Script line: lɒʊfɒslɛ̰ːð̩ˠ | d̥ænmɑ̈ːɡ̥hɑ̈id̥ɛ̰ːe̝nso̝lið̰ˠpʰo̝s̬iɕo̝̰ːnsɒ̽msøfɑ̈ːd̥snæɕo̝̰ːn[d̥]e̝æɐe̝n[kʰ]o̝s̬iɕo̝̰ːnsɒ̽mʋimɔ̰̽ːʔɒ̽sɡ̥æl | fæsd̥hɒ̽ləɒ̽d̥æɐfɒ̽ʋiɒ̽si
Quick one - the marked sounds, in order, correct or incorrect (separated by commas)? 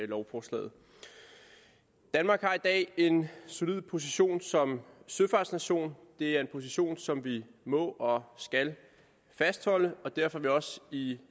correct, incorrect